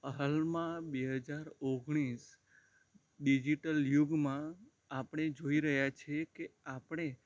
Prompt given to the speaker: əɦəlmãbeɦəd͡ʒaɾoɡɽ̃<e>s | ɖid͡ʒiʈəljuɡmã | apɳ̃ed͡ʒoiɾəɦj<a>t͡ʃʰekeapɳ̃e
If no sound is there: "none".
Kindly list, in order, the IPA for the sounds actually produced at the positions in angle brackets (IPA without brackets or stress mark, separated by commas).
i, a